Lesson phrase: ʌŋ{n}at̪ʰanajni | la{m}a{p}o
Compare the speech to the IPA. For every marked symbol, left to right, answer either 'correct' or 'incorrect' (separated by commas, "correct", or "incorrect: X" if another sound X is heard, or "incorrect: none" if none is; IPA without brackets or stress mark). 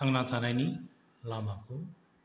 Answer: correct, correct, incorrect: k